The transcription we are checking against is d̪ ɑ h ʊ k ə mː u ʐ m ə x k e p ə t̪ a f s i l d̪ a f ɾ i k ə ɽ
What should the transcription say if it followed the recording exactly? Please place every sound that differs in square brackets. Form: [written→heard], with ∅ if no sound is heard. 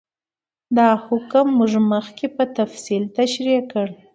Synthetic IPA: d̪ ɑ h ʊ k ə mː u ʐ m ə x k e p ə t̪ a f s i l [d̪→t̪] a [f→ʃ] ɾ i k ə ɽ